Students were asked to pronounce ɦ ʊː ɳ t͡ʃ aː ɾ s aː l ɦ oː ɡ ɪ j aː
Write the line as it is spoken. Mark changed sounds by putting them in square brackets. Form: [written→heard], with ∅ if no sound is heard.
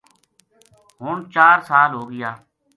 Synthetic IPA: ɦ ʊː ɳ t͡ʃ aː ɾ s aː l ɦ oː ɡ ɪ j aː